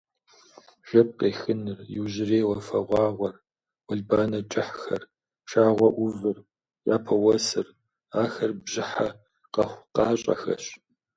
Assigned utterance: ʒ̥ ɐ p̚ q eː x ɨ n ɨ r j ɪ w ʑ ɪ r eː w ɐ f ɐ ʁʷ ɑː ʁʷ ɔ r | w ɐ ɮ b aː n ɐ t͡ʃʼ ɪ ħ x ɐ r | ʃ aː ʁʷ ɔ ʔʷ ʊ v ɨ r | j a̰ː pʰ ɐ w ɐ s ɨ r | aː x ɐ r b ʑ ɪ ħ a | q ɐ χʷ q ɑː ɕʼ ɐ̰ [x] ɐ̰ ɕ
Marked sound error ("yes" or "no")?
no